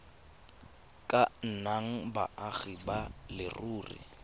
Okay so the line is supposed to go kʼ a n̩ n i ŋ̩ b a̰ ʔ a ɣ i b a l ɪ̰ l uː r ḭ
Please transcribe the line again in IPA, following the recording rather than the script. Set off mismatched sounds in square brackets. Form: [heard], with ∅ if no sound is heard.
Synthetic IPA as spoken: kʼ a n̩ n [a] ŋ̩ b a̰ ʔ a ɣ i b a l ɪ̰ [r] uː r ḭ